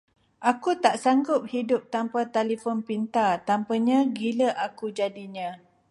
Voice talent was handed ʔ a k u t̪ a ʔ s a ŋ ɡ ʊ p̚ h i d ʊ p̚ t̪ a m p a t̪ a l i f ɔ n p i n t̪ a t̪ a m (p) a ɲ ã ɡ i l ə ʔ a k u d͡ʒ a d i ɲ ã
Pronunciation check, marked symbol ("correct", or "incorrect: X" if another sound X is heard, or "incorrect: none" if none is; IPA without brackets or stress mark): correct